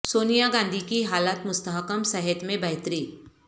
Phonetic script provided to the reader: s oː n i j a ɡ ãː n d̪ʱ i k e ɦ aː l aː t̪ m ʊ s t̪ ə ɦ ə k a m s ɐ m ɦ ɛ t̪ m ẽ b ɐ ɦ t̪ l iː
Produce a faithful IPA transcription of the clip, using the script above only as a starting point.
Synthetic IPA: s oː n i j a ɡ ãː n d̪ʱ i k i ɦ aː l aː t̪ m ʊ s t̪ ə ɦ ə k ə m s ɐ ɦ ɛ t̪ m ẽ b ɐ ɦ t̪ ɾ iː